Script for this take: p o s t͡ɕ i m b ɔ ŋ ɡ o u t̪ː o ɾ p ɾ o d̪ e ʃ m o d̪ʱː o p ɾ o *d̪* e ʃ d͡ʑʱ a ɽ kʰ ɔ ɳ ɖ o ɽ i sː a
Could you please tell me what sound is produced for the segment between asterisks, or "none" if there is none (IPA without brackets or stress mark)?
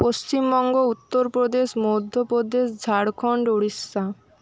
d̪